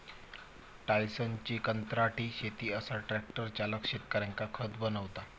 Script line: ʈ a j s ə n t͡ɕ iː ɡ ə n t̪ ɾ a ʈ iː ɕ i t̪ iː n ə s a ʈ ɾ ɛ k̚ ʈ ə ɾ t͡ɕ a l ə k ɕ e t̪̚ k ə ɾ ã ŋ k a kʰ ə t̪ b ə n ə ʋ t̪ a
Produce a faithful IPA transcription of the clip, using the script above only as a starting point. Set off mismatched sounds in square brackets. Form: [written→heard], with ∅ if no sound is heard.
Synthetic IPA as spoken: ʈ a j s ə n t͡ɕ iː [ɡ→k] ə n t̪ ɾ a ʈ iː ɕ [i→e] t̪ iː [n→∅] ə s a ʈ ɾ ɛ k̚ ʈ ə ɾ t͡ɕ a l ə k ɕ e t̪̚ k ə ɾ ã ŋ k a kʰ ə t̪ b ə n ə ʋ t̪ a